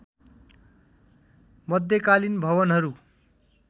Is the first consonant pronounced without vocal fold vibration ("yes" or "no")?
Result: no